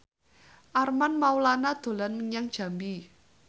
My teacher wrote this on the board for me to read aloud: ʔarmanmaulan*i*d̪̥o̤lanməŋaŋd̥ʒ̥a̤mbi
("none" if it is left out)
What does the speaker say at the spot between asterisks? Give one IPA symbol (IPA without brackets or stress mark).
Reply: a